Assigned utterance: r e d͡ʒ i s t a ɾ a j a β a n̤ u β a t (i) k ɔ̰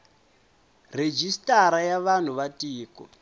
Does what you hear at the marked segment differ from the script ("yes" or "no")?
yes